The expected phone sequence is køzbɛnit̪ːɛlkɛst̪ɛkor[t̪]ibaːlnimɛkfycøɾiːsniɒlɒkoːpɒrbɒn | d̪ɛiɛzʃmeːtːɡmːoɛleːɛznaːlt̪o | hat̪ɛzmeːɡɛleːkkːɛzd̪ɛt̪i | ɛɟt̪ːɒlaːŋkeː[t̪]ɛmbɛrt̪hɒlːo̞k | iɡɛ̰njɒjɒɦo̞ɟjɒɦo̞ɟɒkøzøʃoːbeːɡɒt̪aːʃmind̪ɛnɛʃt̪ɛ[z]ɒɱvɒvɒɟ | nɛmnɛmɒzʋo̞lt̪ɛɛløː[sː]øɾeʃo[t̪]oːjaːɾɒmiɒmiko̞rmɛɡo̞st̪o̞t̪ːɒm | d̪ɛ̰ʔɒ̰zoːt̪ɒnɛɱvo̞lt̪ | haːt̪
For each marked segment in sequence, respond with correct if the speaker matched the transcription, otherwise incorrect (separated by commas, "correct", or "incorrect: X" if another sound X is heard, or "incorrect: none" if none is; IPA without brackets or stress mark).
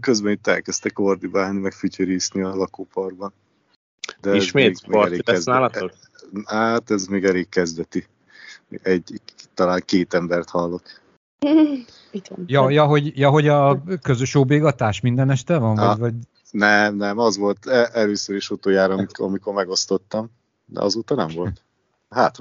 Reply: incorrect: d̪, correct, incorrect: v, incorrect: s, correct